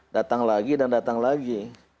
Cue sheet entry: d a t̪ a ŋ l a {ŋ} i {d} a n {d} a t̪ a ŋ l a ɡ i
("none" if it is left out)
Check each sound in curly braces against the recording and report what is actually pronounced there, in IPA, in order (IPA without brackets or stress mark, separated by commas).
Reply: ɡ, d, d